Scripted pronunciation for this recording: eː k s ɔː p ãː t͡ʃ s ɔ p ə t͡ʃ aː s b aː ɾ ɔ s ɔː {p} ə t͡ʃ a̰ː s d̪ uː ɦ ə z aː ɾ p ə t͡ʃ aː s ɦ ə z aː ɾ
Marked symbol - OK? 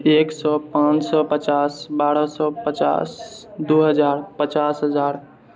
yes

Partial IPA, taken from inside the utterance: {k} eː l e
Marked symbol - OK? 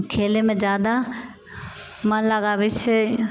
no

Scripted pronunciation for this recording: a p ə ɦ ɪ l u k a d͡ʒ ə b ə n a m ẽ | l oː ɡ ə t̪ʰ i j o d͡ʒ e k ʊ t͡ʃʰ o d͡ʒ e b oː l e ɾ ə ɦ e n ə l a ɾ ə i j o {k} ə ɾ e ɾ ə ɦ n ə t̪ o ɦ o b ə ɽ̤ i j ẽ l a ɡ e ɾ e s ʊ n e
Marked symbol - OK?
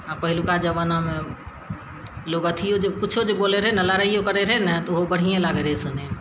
yes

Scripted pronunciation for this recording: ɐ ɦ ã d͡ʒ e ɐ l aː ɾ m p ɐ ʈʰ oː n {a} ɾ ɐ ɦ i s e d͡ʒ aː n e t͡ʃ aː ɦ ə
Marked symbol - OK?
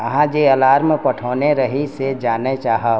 no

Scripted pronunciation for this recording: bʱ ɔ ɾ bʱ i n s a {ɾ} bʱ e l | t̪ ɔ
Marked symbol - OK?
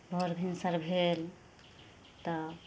yes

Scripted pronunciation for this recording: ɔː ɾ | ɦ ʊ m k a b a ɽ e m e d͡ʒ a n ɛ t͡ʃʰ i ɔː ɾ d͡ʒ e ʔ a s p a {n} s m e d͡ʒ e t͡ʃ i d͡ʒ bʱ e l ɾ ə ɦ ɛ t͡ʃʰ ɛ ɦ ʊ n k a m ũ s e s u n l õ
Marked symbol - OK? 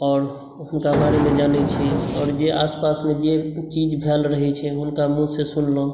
no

